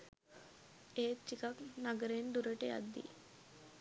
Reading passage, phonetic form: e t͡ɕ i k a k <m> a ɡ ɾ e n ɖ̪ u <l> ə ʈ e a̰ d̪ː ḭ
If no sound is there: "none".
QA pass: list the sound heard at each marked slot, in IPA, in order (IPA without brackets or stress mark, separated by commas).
n, ɾ